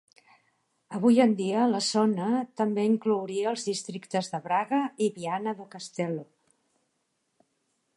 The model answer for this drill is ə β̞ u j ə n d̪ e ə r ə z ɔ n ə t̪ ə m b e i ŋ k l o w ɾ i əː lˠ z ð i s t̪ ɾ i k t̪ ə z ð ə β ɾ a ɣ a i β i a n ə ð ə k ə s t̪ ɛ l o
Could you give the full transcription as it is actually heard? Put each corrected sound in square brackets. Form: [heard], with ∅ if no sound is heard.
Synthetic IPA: ə β̞ u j ə n d̪ [i] ə [l] ə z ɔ n ə t̪ ə m b e i ŋ k l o w ɾ i əː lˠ z ð i s t̪ ɾ i k t̪ ə z ð ə β ɾ a ɣ [ə] i β i a n ə ð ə k ə s t̪ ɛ l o